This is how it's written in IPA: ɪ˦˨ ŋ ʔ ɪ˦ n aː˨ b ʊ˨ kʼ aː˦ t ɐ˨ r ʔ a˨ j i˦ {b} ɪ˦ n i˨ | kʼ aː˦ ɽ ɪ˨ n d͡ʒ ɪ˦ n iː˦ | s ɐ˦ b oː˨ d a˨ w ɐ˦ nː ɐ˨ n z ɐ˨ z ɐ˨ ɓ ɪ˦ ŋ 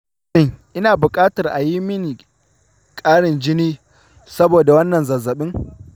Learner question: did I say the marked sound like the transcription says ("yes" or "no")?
no